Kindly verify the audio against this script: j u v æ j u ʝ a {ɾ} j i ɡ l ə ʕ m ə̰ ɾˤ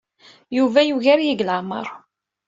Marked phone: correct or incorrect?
correct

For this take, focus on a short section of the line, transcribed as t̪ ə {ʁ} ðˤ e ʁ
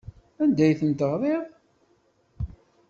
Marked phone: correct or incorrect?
correct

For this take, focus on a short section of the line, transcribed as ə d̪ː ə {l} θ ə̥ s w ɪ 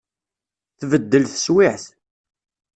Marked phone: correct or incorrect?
correct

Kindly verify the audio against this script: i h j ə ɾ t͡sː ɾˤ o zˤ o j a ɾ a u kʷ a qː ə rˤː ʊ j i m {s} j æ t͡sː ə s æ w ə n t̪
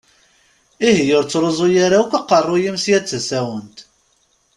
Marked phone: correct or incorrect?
correct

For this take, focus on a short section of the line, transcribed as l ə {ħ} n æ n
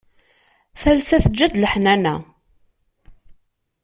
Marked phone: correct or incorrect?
correct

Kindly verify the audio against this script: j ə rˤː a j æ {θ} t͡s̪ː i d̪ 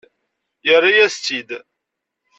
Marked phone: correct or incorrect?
incorrect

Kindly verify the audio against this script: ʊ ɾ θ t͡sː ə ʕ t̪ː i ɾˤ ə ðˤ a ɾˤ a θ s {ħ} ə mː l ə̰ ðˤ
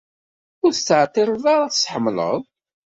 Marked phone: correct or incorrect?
correct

